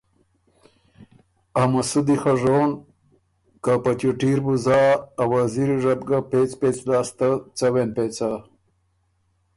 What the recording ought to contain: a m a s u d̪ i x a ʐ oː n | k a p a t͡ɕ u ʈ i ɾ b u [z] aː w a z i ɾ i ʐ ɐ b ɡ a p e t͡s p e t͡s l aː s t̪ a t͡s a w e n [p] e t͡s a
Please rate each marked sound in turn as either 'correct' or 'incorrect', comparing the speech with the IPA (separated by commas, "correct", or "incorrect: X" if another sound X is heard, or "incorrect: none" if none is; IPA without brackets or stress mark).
correct, correct